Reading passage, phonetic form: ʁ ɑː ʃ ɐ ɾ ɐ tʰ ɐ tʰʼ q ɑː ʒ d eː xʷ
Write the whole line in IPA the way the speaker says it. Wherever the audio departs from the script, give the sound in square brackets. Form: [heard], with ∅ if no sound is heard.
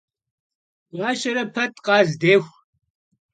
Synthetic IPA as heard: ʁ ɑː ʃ ɐ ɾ ɐ [pʰ] ɐ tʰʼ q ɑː [z] d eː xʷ